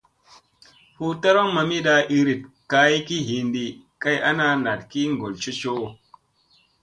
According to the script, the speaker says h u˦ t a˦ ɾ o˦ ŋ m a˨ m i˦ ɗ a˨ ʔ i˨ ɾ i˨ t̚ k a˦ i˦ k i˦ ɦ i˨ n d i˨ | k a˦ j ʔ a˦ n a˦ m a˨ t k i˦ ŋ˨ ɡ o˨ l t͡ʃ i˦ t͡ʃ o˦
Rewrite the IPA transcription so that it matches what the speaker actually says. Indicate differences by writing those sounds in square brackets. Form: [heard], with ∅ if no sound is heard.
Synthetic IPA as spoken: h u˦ t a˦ ɾ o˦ ŋ m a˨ m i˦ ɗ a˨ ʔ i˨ ɾ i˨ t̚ k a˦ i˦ k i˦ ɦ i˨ n d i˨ | k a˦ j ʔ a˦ n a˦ [n] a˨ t k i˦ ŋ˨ ɡ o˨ l t͡ʃ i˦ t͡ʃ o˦